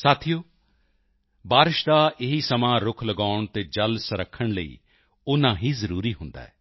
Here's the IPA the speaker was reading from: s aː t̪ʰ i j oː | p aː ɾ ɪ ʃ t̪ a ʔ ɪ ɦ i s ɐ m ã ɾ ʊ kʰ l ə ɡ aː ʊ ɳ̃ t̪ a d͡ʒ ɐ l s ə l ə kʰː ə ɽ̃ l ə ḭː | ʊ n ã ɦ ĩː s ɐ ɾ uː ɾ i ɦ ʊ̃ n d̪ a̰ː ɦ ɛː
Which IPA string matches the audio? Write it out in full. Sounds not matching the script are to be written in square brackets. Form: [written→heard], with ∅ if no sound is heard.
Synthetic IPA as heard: s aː t̪ʰ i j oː | [p→b] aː ɾ ɪ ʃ [t̪→d̪] a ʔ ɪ ɦ i s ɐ m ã ɾ ʊ kʰ l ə ɡ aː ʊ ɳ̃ t̪ [a→e] d͡ʒ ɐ l s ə [l→ɾ] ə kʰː ə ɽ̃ l ə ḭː | ʊ n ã ɦ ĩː [s→z] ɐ ɾ uː ɾ i ɦ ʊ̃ n d̪ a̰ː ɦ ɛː